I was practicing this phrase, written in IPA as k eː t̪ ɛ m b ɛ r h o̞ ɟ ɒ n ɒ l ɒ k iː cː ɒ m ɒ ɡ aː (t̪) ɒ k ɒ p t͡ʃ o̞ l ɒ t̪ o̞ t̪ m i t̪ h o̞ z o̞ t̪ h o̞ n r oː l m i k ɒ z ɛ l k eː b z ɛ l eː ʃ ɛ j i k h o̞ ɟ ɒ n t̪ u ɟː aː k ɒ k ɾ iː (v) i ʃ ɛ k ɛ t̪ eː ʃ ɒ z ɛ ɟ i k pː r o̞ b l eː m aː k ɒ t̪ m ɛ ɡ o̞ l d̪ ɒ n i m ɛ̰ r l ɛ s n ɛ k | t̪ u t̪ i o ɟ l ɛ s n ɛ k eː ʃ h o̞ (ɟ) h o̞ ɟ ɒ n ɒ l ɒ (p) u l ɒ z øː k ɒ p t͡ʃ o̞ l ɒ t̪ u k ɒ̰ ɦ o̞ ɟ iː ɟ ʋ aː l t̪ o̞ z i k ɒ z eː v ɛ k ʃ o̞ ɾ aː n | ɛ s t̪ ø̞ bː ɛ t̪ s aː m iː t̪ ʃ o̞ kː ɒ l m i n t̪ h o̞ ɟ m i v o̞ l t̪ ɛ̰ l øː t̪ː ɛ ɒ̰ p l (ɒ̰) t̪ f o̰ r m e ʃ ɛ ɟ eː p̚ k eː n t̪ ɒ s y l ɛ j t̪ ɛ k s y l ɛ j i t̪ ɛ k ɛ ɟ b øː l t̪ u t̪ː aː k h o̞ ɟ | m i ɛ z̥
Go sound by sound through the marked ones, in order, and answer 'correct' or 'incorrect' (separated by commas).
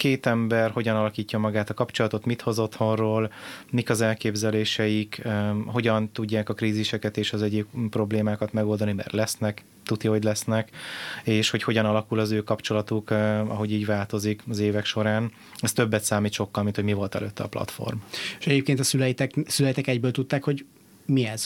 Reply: correct, incorrect, incorrect, incorrect, correct